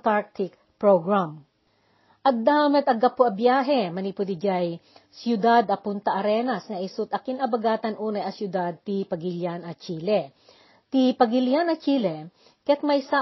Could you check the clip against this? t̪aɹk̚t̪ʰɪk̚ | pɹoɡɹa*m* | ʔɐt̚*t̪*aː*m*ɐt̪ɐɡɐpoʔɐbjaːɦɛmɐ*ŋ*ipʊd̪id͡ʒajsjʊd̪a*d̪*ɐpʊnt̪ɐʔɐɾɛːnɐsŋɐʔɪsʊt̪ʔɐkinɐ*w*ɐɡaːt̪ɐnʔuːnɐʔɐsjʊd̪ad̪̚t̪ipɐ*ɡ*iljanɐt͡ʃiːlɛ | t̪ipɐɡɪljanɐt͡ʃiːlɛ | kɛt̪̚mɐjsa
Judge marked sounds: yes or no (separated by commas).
yes, no, yes, no, yes, no, yes